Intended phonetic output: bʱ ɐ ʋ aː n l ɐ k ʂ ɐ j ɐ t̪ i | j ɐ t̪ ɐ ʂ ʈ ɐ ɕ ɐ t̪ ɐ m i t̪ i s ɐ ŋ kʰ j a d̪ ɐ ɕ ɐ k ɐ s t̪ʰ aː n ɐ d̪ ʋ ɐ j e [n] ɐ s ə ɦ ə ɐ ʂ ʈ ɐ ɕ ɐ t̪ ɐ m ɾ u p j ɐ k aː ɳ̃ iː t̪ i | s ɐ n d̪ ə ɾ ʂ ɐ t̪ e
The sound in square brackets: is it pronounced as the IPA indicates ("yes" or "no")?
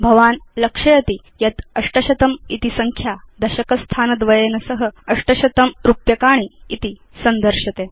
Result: yes